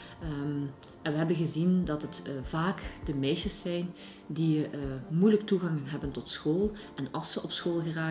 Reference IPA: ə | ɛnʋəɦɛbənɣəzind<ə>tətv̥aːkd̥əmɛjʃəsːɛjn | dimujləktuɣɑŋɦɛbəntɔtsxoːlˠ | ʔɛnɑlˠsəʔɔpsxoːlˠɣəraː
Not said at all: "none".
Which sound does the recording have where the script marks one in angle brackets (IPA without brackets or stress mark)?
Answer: ɑ